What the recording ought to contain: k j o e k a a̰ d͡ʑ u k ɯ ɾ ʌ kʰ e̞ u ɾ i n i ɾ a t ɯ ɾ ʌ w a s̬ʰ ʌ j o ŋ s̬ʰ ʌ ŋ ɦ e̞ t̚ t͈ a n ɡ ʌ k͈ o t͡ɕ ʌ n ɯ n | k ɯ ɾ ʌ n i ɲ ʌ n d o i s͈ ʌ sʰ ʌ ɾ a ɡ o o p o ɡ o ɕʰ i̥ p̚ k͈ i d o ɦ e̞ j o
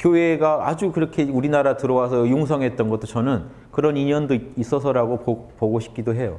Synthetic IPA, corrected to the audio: k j o e ɡ a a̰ d͡ʑ u k ɯ ɾ ʌ kʰ e̞ u ɾ i n a ɾ a t ɯ ɾ ʌ w a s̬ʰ ʌ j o ŋ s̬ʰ ʌ ŋ ɦ e̞ t̚ t͈ ʌ n ɡ ʌ t͈ o t͡ɕ ʌ n ɯ n | k ɯ ɾ ʌ n i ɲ ʌ n d o i s͈ ʌ sʰ ʌ ɾ a ɡ o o p o ɡ o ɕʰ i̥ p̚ k͈ i d o ɦ e̞ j o